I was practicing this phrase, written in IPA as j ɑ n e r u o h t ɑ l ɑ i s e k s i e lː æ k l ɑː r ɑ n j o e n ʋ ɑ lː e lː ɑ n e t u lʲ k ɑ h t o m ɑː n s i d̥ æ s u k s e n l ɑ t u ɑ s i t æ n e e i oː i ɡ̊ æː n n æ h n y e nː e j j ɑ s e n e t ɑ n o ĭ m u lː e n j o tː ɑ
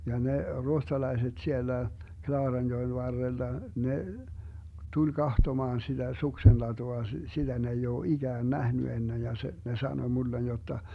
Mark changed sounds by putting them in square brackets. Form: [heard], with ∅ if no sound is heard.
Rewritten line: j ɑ n e r u o h t ɑ l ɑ i s e [t] s i e lː æ k l ɑː r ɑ n j o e n ʋ ɑ [rː] e lː ɑ n e t u lʲ k ɑ h t o m ɑː n s i d̥ æ s u k s e n l ɑ t u ɑ s i t æ n e e i oː i ɡ̊ æː n n æ h n y e nː e j j ɑ s e n e [s] ɑ n o ĭ m u lː e n j o tː ɑ